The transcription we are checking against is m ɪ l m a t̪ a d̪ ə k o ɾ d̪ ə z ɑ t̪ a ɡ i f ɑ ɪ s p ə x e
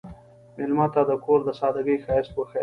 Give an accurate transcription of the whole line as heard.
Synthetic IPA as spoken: m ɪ l m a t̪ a d̪ ə k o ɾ d̪ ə s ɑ d̪ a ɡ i x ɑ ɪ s p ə x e